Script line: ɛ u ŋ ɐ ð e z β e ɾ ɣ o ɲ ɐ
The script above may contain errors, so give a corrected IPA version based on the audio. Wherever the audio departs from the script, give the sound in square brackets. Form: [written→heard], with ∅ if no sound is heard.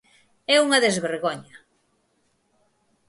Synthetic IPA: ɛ u ŋ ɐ ð e z β e ɾ ɣ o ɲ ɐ